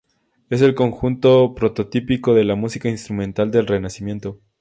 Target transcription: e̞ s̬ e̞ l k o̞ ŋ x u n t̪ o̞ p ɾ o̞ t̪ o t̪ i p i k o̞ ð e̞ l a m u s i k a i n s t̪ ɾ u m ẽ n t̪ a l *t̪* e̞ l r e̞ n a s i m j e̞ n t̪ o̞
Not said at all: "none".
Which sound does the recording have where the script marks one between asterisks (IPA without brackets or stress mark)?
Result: d̪